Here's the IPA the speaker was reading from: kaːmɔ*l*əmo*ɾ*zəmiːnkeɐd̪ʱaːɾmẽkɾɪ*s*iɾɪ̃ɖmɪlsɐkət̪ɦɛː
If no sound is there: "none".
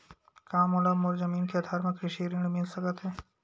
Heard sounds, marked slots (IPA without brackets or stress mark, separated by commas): l, ɾ, ʃ